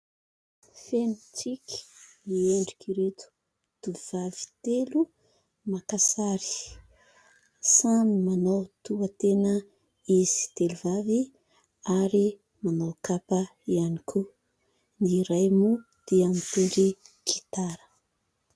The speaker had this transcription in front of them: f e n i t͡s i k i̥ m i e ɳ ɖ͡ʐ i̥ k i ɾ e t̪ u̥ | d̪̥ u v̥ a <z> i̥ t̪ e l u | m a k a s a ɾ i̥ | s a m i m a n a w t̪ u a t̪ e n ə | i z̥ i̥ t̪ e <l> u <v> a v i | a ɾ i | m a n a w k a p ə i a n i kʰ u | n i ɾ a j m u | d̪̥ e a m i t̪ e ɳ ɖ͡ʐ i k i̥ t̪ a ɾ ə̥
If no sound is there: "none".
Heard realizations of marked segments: v, l, v

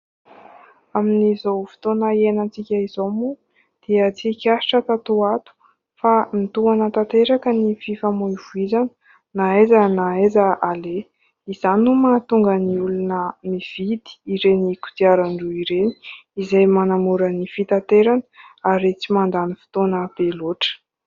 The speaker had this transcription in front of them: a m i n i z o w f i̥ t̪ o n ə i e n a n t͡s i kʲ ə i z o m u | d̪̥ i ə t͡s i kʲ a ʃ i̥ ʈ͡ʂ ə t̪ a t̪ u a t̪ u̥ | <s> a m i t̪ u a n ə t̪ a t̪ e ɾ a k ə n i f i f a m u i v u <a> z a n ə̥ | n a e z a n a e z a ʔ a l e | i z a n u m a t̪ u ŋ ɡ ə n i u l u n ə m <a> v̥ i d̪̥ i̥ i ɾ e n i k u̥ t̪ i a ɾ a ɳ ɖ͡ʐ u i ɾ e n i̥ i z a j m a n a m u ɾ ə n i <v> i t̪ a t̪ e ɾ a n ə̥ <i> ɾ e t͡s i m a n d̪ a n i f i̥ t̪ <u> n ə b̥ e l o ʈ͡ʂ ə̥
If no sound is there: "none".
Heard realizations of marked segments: f, i, i, f, a, o

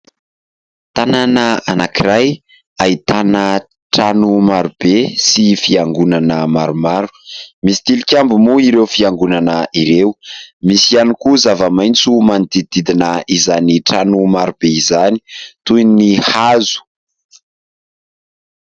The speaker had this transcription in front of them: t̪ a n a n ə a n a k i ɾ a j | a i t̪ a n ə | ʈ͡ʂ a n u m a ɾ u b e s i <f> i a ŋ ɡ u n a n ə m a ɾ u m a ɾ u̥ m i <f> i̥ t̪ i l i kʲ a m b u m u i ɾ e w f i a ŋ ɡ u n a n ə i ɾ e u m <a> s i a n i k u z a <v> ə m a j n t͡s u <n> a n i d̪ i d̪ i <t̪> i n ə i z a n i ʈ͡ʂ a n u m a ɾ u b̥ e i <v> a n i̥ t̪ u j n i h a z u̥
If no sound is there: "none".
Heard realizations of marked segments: f, s, i, v, m, d̪, z

